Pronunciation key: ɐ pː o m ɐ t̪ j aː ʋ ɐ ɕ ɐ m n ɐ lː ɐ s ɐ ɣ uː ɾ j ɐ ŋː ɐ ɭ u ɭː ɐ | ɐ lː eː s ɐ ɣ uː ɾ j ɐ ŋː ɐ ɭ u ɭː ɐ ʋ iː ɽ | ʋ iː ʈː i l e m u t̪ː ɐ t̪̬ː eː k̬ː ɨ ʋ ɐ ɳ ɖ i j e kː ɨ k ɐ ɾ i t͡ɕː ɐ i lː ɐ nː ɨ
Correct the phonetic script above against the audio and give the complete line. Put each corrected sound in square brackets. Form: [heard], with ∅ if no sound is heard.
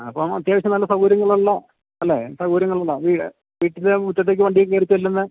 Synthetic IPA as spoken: ɐ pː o m ɐ t̪ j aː ʋ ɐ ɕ ɐ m n ɐ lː ɐ s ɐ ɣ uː ɾ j ɐ ŋː ɐ ɭ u ɭː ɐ | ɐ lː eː s ɐ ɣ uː ɾ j ɐ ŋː ɐ ɭ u ɭː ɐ ʋ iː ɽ | ʋ iː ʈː i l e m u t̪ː ɐ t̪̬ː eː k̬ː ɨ ʋ ɐ ɳ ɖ i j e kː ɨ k ɐ ɾ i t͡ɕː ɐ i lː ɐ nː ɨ